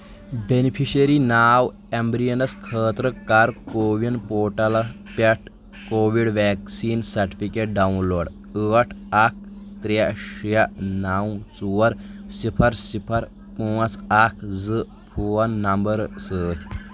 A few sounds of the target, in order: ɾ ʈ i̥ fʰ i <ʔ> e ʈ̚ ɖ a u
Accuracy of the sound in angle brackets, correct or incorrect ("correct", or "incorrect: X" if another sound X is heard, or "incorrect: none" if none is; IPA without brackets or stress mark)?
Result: incorrect: k